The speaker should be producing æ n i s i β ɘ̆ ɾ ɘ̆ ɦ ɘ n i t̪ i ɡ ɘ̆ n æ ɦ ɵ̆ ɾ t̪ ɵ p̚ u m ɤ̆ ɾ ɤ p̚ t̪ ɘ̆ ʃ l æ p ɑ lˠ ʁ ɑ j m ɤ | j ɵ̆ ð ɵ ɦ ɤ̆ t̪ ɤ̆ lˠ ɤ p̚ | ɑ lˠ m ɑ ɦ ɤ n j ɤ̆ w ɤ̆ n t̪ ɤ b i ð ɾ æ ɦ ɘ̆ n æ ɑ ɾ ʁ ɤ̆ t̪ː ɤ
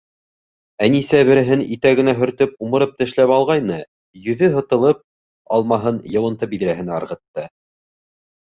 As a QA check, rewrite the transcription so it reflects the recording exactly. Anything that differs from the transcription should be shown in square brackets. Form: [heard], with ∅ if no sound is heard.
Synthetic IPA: æ n i s [æ] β ɘ̆ ɾ ɘ̆ ɦ ɘ n i t̪ [æ] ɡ ɘ̆ n æ ɦ ɵ̆ ɾ t̪ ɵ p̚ u m ɤ̆ ɾ ɤ p̚ t̪ ɘ̆ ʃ l æ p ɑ lˠ ʁ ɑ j [n] ɤ | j ɵ̆ ð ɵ ɦ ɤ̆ t̪ ɤ̆ lˠ ɤ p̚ | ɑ lˠ m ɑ ɦ ɤ n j ɤ̆ w ɤ̆ n t̪ ɤ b i ð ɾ æ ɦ ɘ̆ n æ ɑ ɾ ʁ ɤ̆ t̪ː ɤ